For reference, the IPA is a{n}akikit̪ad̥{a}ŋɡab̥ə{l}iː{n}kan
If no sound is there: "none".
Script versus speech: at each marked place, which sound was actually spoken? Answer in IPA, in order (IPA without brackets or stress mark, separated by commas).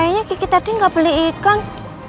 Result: ɲ, i, l, none